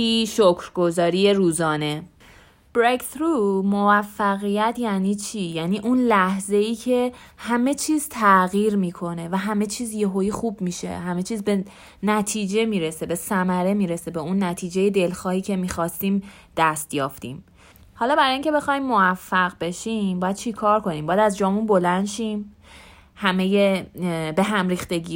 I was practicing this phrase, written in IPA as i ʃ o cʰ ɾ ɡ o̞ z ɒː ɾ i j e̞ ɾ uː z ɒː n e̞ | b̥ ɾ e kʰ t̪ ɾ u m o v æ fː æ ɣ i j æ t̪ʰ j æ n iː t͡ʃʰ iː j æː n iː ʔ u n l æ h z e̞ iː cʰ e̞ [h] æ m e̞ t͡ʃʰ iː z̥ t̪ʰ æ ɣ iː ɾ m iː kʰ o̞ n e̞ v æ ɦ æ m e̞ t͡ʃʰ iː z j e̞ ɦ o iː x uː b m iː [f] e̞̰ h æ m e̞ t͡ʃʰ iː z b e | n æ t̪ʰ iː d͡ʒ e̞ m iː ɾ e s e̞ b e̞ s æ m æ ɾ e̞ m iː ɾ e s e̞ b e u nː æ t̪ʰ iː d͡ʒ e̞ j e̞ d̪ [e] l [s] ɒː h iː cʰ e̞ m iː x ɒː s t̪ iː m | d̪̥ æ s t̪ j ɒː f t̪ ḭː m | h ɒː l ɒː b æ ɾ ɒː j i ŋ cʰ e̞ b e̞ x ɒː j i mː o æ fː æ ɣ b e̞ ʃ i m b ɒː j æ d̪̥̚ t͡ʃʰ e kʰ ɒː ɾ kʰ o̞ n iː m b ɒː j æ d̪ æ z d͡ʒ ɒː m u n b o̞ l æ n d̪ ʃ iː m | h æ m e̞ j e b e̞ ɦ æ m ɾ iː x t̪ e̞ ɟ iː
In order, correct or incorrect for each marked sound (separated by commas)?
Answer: correct, incorrect, correct, incorrect